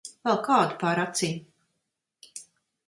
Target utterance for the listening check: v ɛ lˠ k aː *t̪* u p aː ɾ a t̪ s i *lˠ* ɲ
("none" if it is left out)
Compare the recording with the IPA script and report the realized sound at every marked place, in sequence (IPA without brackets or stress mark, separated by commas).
d̪, none